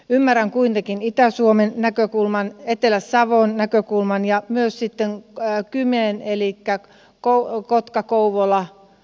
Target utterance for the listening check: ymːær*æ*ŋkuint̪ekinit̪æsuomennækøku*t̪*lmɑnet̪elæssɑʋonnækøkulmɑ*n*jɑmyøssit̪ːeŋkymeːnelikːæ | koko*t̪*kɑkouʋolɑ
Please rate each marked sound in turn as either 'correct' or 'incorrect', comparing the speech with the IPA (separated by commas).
correct, incorrect, correct, correct